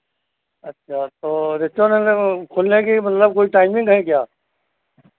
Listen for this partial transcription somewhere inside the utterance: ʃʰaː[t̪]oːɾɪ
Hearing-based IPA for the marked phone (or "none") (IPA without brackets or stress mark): t̪